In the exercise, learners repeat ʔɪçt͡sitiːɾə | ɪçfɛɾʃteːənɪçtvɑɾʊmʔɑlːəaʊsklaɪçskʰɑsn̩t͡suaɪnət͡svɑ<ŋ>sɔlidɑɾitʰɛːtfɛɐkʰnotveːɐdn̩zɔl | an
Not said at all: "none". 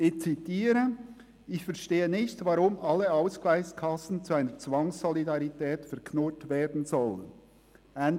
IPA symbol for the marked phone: ŋ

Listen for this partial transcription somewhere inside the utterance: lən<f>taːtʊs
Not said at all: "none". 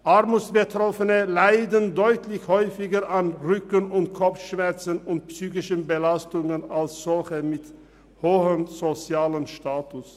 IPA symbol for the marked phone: ʃ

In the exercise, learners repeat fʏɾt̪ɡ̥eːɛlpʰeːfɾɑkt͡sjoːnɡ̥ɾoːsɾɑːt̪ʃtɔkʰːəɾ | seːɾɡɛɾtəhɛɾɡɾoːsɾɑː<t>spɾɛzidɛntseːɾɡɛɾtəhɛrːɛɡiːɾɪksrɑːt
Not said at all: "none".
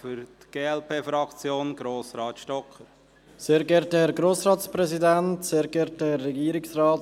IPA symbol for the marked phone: t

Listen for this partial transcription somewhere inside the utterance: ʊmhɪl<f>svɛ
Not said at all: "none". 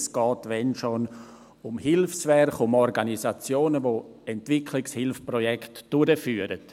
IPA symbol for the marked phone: f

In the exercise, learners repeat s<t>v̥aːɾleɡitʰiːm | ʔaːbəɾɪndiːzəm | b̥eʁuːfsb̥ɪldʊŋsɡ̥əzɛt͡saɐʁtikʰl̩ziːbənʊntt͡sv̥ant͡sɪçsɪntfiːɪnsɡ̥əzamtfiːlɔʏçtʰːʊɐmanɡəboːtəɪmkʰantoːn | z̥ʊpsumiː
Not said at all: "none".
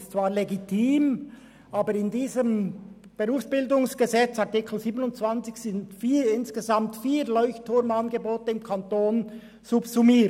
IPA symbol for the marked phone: t͡s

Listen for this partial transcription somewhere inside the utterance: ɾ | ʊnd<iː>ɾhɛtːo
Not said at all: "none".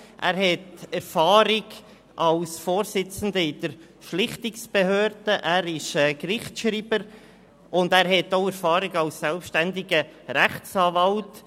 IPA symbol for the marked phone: æː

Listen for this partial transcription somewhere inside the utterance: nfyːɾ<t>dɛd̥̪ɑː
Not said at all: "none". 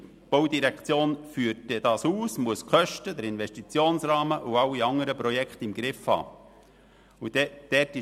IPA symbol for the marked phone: t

